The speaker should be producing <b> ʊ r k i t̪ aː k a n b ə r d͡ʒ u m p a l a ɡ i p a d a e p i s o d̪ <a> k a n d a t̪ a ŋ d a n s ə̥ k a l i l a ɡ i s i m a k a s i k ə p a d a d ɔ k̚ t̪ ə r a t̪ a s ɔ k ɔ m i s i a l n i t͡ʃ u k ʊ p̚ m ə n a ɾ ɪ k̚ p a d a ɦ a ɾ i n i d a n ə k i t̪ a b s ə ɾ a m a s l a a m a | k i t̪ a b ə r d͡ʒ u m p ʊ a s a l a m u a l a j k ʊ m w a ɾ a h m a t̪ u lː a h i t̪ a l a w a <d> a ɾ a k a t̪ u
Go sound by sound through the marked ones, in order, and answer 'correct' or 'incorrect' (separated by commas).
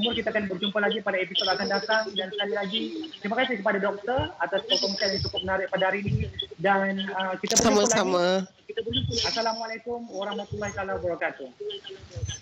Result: incorrect, correct, incorrect